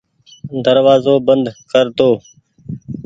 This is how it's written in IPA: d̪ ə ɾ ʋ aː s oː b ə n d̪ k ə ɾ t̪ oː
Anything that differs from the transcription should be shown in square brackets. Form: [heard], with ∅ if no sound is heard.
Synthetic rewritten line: d̪ ə ɾ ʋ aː [z] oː b ə n d̪ k ə ɾ t̪ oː